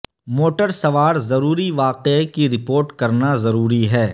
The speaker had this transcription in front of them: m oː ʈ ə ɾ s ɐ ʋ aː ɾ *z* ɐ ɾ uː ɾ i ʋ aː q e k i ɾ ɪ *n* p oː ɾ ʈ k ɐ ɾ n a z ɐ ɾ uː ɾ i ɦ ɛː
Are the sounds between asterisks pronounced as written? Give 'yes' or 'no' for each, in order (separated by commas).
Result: yes, no